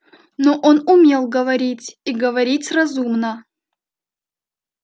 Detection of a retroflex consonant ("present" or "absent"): absent